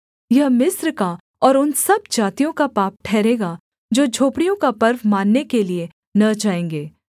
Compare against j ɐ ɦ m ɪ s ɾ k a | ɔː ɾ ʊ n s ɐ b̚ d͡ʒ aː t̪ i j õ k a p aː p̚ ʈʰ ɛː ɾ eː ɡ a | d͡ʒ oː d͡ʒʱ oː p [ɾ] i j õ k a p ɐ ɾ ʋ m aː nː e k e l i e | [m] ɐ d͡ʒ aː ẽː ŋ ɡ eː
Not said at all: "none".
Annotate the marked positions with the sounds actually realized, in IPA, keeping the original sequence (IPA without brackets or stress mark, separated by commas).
ɽ, n